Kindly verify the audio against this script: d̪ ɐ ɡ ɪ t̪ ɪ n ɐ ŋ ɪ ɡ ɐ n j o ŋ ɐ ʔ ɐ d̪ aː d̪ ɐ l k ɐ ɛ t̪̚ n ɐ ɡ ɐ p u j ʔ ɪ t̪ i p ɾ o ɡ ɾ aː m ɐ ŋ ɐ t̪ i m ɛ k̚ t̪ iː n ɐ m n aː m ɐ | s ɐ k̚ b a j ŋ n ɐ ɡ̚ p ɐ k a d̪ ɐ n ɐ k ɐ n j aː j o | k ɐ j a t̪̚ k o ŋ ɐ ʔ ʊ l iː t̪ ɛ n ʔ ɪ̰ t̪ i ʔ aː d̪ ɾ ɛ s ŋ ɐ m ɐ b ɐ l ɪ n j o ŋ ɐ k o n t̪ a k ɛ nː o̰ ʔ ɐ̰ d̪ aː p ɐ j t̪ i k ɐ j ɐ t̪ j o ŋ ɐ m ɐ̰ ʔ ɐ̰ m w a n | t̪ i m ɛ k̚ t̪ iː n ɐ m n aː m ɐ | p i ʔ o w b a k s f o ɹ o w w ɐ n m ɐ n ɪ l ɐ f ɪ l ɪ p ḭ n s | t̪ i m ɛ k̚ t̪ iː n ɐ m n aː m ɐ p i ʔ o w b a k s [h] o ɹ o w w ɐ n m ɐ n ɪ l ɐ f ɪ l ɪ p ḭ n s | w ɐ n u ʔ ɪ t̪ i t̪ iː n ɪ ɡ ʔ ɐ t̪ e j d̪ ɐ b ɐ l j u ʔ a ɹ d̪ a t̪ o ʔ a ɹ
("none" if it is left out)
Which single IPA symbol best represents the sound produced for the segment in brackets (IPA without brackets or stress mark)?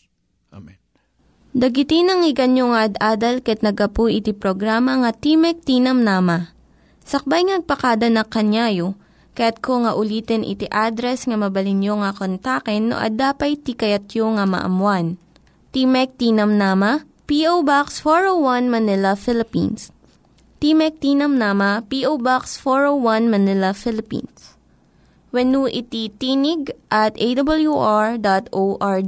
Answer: f